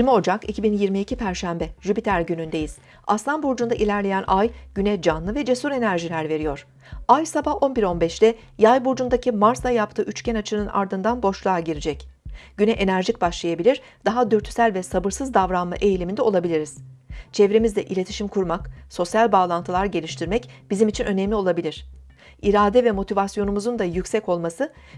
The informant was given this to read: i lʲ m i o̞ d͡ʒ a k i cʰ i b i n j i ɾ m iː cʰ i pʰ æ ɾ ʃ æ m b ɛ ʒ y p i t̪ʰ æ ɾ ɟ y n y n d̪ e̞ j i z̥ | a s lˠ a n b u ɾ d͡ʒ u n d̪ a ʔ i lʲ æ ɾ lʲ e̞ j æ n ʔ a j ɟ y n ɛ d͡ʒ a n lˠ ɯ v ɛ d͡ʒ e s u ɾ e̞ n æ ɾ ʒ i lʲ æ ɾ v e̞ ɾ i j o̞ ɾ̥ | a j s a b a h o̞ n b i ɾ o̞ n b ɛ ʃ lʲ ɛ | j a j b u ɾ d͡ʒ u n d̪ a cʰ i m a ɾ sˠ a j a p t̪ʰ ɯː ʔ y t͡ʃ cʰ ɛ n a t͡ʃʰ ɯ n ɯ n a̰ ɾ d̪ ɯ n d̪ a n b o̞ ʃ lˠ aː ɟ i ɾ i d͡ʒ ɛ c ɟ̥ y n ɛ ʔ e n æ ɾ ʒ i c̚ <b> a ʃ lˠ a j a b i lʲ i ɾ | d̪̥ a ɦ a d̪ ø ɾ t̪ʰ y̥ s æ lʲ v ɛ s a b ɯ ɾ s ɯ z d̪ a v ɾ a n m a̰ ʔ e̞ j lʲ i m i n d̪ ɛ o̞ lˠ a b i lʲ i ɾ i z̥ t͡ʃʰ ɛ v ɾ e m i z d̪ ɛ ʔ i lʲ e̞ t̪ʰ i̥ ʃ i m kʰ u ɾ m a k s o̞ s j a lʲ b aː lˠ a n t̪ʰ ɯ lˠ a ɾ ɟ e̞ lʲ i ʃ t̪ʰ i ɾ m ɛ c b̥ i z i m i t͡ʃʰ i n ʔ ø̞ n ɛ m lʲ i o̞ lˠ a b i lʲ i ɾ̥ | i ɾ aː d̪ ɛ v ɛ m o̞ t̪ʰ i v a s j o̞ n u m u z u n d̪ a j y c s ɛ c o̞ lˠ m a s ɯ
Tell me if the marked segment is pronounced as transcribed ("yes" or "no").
yes